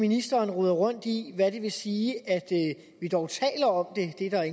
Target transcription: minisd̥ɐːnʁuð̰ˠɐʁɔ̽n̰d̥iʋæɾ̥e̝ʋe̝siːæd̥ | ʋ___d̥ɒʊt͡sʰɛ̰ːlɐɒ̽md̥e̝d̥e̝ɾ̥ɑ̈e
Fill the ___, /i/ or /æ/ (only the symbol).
i